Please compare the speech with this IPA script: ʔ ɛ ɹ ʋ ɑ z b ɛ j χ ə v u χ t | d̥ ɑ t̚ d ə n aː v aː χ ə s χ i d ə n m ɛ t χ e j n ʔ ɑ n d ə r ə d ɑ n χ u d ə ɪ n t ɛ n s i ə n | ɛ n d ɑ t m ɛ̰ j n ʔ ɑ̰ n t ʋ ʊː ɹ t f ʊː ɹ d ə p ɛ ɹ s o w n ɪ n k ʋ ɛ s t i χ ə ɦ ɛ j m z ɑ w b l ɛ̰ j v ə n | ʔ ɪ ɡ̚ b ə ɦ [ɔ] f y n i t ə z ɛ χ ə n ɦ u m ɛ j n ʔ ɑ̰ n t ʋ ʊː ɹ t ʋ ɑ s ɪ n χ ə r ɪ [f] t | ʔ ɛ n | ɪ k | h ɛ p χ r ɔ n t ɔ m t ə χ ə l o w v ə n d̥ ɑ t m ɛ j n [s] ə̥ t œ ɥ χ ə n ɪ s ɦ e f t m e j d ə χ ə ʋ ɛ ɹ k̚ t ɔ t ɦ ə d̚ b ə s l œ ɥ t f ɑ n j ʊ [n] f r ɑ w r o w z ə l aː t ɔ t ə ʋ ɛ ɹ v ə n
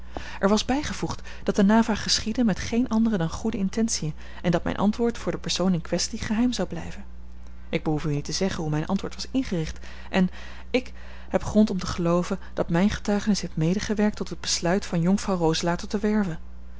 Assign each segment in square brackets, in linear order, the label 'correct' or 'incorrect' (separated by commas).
incorrect, incorrect, incorrect, incorrect